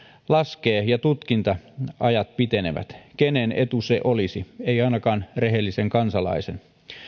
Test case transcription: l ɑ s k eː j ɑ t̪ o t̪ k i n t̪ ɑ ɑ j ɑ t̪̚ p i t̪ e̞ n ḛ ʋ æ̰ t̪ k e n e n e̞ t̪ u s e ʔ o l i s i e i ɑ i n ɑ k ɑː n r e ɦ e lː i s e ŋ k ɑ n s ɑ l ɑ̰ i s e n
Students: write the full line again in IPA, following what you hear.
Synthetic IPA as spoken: l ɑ s k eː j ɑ t̪ u t̪ k i n t̪ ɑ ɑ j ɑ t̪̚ p i t̪ e̞ n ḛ ʋ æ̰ t̪ k e n e n e̞ t̪ u s e ʔ o l i s i e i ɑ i n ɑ k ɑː n r e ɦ e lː i s e ŋ k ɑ n s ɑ l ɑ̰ i s e n

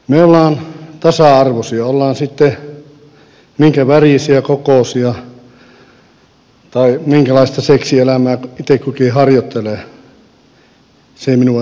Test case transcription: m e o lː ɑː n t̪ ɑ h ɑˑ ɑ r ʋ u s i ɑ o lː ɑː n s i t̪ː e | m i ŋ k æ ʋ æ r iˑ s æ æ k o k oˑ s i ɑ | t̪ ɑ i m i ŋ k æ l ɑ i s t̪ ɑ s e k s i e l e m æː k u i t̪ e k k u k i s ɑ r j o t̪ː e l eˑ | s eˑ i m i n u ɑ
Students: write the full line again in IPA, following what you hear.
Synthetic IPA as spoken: m e o lː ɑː n t̪ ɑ s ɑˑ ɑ r ʋ o s i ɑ o lː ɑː n s i t̪ː e | m i ŋ k æ ʋ æ r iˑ s i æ k o k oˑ s i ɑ | t̪ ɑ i m i ŋ k æ l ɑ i s t̪ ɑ s e k s i e l æ m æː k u i t̪ e k k u k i h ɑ r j o t̪ː e l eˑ | s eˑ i m i n u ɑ

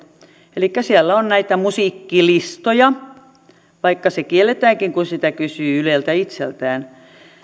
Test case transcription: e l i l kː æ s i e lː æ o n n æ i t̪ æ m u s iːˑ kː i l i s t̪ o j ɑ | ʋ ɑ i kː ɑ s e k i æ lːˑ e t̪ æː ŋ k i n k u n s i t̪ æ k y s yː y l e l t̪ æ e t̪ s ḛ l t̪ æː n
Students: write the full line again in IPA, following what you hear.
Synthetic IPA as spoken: e l i kː æ s i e lː æ o n n æ i t̪ æ m u s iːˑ kː i l i s t̪ o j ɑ | ʋ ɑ i kː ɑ s e k i e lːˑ e t̪ æː ŋ k i ŋ k u n s i t̪ æ k y s yː y l e l t̪ æ i t̪ s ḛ l t̪ æː n

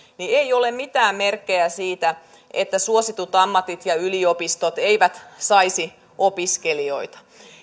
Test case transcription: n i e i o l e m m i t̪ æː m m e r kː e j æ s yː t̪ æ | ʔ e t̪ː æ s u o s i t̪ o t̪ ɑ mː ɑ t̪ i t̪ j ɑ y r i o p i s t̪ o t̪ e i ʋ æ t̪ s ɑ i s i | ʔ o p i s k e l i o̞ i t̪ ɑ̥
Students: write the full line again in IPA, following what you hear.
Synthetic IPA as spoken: n i e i o l e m m i t̪ æː m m e r kː e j æ s iː t̪ æ | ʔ e t̪ː æ s u o s i t̪ u t̪ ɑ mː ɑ t̪ i t̪ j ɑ y l i o p i s t̪ o t̪ e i ʋ æ t̪ s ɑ i s i | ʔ o p i s k e l i o̞ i t̪ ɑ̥

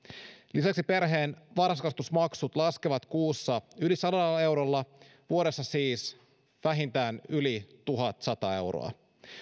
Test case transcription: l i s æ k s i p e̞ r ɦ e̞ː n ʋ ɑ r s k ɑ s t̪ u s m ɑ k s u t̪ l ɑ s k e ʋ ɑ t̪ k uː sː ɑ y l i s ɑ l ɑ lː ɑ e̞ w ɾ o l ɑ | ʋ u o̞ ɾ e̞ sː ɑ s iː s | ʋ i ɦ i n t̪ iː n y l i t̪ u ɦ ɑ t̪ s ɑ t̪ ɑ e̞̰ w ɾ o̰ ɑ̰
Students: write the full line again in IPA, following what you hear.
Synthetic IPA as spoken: l i s æ k s i p e̞ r ɦ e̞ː n ʋ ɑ r s k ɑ s t̪ u s m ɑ k s u t̪ l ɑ s k e ʋ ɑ t̪ k uː sː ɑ y l i s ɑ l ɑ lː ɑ e̞ w ɾ o lː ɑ | ʋ u o̞ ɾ e̞ sː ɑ s iː s | ʋ æ ɦ i n t̪ æː n y l i t̪ u ɦ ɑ t̪ s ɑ t̪ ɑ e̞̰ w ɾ o̰ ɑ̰

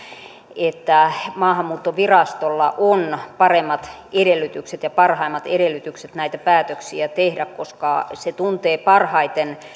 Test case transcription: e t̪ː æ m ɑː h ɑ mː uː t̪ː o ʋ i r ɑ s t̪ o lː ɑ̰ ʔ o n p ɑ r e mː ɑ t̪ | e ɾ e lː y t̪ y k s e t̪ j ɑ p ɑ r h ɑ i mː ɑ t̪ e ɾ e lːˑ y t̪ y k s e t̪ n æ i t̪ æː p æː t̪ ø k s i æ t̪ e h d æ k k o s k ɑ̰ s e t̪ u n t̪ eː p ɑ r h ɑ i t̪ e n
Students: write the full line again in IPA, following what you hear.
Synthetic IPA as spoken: e t̪ː æ m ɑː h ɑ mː uː t̪ː o ʋ i r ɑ s t̪ o lː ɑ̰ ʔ o n p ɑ r e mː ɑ t̪ | e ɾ e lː y t̪ y k s e t̪ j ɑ p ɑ r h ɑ i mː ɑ t̪ e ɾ e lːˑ y t̪ y k s e t̪ n æ i t̪ æ p æː t̪ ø k s i æ t̪ e h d æ k k o s k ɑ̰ s e t̪ u n t̪ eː p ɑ r h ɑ i t̪ e n

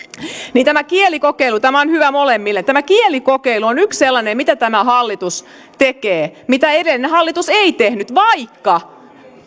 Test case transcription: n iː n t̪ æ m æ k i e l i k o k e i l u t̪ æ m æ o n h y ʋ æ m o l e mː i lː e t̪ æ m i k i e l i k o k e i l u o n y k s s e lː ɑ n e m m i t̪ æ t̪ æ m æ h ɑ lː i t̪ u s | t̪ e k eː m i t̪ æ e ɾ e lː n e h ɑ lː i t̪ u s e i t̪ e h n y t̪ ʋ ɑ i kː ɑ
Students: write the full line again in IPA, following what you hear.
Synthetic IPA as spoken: n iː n t̪ æ m æ k i e l i k o k e i l u t̪ æ m æ o n h y ʋ æ m o l e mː i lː e t̪ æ m æ k i e l i k o k e i l u o n y k s s e lː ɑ n e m m i t̪ æ t̪ æ m æ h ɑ lː i t̪ u s | t̪ e k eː m i t̪ æ e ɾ e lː n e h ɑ lː i t̪ u s e i t̪ e h n y t̪ ʋ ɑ i kː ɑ

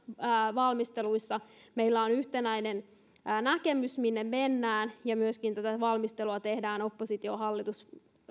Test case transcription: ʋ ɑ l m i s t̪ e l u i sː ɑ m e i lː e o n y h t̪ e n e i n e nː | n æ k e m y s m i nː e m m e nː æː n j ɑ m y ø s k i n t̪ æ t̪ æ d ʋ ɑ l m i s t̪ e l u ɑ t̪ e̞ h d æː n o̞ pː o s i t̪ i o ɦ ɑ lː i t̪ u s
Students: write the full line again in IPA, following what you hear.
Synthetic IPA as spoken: ʋ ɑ l m i s t̪ e l u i sː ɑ m e i lː æ o n y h t̪ e n æ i n e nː | n æ k e m y s m i nː e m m e nː æː n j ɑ m y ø s k i n t̪ æ t̪ æ ʋ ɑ l m i s t̪ e l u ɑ t̪ e̞ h d æː n o̞ pː o s i t̪ i o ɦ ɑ lː i t̪ u s

